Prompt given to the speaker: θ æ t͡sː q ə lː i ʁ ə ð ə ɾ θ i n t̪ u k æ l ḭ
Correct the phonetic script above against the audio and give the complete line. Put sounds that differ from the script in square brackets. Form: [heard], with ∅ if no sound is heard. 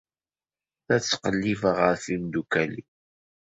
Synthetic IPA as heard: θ æ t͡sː q ə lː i [v] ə [ʁ] ə ɾ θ i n [d̪] u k æ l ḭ